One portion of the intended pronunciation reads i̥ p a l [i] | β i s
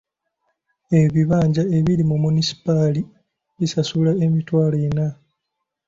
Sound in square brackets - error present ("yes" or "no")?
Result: no